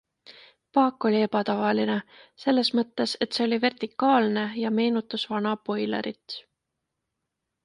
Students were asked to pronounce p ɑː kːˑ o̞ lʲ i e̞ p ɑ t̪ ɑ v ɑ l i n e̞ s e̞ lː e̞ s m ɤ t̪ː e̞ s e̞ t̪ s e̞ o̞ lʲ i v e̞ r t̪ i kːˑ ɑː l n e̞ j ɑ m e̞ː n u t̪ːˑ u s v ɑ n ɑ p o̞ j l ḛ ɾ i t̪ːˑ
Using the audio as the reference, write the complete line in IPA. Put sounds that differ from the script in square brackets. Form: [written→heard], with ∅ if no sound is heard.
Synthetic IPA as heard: p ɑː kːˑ o̞ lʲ i e̞ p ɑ t̪ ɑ v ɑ l i n e̞ s e̞ lː e̞ s m ɤ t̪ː e̞ s e̞ t̪ s e̞ o̞ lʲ i v e̞ r t̪ i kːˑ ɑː l n e̞ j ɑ m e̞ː n u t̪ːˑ u s v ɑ n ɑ p o̞ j l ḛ ɾ i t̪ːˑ